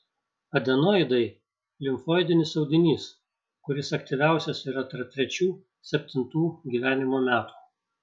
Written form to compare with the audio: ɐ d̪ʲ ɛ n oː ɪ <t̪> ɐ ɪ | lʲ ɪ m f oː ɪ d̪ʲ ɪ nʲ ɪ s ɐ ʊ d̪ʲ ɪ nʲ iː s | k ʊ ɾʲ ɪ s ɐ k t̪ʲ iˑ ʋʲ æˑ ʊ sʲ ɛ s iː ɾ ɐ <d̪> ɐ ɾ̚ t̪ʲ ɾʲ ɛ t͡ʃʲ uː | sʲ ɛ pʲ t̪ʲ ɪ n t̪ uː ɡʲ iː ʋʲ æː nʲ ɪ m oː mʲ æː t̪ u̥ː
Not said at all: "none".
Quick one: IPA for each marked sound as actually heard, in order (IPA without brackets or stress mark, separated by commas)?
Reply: d̪, t̪